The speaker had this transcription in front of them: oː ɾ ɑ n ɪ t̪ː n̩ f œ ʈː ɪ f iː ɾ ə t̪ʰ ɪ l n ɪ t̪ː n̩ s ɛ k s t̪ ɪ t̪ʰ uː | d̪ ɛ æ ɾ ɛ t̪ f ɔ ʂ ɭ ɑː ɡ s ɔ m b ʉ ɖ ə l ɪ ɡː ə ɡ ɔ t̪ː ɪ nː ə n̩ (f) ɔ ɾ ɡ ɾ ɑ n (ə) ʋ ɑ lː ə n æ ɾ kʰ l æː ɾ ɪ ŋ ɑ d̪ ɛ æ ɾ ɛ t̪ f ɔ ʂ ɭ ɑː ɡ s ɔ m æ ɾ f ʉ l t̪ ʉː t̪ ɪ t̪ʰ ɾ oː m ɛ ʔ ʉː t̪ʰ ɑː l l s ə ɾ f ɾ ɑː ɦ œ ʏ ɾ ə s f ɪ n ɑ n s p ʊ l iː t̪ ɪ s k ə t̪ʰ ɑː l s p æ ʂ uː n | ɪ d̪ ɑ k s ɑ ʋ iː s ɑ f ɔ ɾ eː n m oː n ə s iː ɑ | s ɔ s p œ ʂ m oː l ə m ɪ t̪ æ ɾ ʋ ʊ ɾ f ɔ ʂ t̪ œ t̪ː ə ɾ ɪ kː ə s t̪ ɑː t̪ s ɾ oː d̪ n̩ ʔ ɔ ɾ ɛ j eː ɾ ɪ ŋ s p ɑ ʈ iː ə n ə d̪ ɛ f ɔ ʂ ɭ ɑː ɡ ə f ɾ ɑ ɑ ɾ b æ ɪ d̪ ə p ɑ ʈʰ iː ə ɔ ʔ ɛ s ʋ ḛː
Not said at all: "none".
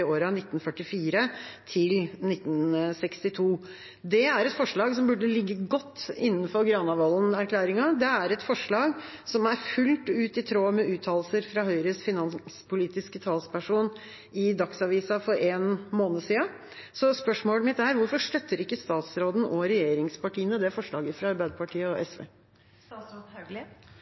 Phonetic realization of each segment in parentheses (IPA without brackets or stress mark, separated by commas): f, ɑ